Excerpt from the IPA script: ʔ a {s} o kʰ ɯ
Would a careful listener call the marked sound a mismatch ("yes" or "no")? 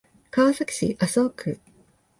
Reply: no